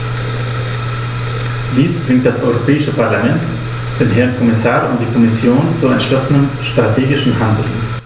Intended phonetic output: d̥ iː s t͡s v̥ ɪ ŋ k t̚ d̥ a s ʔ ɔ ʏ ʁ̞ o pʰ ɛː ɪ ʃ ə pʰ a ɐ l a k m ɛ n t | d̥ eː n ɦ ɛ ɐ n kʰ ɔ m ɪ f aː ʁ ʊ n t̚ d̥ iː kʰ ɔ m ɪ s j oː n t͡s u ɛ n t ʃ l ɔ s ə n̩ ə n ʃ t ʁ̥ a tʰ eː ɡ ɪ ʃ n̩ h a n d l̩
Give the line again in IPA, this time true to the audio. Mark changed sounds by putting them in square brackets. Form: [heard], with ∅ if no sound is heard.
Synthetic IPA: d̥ iː s t͡s v̥ ɪ ŋ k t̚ d̥ a s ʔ ɔ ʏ ʁ̞ o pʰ ɛː ɪ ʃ ə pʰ a ɐ l a [∅] m ɛ n t | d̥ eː n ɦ ɛ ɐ n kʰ ɔ m ɪ [s] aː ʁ ʊ n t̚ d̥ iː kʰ ɔ m ɪ s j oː n t͡s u ɛ n t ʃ l ɔ s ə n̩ ə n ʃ t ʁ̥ a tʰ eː ɡ ɪ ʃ n̩ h a n d l̩